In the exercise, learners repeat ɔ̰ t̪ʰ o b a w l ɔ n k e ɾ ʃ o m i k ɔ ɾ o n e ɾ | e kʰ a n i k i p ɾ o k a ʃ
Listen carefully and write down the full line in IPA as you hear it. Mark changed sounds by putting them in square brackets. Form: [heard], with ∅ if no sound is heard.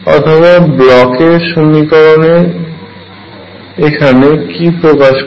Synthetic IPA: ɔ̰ t̪ʰ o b a [b] l ɔ [∅] k e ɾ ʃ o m i k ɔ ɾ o n e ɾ | e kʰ a n [e] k i p ɾ o k a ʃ